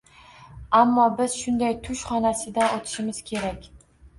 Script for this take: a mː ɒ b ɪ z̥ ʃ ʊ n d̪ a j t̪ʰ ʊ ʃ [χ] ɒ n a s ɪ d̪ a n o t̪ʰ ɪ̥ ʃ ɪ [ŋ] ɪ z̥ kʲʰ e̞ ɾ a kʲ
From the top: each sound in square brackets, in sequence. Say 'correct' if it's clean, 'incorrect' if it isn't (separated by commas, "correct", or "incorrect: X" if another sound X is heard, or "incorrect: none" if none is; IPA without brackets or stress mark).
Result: correct, incorrect: m